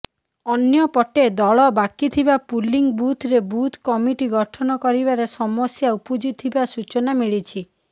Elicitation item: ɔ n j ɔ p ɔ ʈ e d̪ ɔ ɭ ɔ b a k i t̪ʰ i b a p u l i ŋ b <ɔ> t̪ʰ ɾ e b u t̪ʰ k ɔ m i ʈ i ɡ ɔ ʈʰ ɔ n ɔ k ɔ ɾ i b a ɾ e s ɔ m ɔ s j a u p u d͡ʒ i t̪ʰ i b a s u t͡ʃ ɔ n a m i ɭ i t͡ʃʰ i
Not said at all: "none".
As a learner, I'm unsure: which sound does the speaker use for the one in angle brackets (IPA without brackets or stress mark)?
u